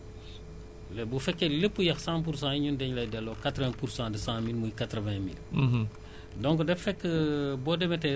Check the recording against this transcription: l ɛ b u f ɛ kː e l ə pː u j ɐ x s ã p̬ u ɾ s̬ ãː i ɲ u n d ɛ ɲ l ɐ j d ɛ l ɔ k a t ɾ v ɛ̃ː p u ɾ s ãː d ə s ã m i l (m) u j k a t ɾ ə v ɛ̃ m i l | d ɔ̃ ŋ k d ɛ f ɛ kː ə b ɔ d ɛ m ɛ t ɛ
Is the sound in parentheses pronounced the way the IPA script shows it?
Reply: yes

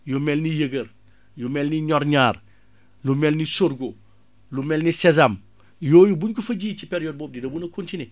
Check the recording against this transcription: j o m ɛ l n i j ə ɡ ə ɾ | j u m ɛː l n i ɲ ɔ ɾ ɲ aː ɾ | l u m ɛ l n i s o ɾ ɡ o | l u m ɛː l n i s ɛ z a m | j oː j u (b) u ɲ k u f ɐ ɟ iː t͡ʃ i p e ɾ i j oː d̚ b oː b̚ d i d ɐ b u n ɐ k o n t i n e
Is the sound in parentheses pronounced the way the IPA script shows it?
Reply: yes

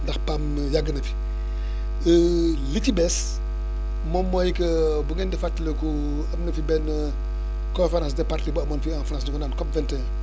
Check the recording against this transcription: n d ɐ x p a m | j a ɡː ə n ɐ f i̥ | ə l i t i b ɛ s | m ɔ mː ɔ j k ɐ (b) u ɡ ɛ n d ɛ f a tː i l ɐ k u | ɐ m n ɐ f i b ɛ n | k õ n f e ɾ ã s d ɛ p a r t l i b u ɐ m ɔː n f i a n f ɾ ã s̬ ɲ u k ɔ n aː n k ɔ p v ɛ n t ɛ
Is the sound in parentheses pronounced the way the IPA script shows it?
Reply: yes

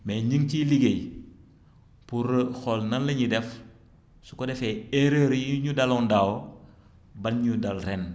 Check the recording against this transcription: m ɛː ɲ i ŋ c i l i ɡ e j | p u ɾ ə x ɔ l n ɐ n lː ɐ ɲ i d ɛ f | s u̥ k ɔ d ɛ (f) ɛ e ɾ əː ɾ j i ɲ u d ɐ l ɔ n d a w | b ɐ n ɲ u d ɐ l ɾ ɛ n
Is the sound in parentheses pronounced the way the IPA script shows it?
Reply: yes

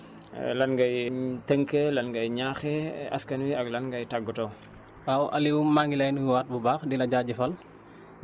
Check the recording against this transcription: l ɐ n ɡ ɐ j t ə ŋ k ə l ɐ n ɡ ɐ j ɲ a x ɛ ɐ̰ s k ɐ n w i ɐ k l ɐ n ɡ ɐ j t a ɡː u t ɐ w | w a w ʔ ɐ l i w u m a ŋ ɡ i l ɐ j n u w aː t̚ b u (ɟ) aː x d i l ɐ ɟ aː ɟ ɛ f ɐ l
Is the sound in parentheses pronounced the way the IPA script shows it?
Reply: no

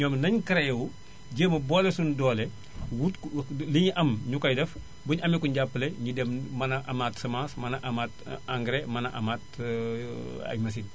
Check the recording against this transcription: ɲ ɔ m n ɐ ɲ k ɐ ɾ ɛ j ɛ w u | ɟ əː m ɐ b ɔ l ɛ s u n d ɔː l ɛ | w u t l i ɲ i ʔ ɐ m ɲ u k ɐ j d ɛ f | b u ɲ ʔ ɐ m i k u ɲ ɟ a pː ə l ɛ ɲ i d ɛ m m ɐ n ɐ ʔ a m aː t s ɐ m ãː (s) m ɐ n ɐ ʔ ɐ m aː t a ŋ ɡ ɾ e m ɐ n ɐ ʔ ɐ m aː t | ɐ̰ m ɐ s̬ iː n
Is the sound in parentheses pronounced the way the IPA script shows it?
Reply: yes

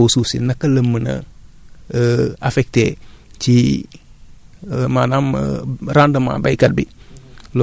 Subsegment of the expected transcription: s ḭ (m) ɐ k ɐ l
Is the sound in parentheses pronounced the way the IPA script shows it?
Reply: no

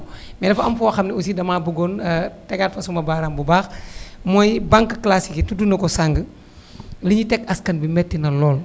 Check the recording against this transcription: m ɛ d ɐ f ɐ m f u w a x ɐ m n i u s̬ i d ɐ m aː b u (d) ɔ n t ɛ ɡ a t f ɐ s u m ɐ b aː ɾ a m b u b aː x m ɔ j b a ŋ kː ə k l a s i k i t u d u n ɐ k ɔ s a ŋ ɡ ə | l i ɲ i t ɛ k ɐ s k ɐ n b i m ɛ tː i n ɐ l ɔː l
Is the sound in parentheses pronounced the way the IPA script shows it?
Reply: no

